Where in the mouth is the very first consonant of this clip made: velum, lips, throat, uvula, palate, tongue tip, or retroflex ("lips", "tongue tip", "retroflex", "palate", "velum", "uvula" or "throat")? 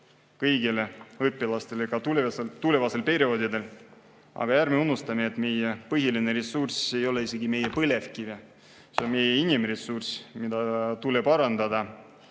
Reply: velum